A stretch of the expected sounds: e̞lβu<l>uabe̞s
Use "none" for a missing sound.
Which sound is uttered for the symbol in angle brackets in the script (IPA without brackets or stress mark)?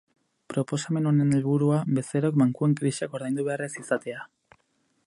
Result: ɾ